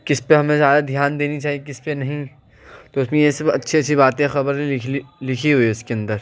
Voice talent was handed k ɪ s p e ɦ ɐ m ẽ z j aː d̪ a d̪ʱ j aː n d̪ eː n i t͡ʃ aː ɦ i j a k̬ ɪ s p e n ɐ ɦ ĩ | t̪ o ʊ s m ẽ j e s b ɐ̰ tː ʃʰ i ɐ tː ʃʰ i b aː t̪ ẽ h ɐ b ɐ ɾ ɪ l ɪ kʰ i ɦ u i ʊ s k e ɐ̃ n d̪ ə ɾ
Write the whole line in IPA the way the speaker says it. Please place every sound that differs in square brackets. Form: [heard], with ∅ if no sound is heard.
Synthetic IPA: k ɪ s p e ɦ ɐ m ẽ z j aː d̪ a d̪ʱ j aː n d̪ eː n i t͡ʃ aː ɦ i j [e] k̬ ɪ s p e n ɐ ɦ ĩ | t̪ o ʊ s m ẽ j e s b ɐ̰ tː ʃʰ i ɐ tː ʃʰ i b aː t̪ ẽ [x] ɐ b [ə] ɾ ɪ l ɪ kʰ i ɦ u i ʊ s k e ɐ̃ n d̪ ə ɾ